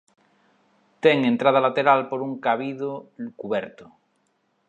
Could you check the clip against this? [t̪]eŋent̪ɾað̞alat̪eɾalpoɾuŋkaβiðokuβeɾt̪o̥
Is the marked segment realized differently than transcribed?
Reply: no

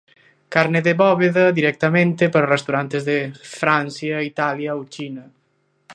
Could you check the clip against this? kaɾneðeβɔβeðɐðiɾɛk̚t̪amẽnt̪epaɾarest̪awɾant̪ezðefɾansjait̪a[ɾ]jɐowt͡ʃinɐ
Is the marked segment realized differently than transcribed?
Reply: yes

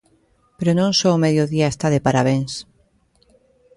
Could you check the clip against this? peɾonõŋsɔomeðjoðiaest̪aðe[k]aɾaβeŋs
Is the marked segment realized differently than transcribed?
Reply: yes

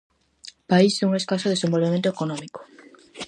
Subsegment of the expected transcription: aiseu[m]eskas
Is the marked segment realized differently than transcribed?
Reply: yes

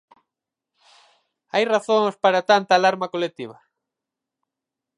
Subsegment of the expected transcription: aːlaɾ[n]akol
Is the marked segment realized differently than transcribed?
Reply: yes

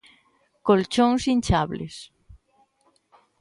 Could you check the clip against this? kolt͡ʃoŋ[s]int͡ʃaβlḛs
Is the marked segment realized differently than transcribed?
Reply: no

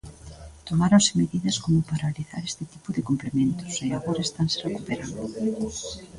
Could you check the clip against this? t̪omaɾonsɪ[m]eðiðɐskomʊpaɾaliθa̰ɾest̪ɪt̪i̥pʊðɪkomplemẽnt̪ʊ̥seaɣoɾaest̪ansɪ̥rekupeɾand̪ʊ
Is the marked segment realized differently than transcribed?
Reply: no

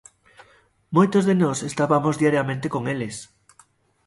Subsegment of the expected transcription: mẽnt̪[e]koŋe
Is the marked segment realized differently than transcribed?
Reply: no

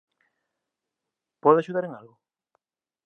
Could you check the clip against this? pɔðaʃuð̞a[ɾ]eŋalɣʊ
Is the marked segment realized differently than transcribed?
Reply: no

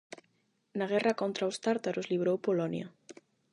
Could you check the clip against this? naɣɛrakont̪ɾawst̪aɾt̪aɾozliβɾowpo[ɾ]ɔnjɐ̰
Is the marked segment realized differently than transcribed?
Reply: yes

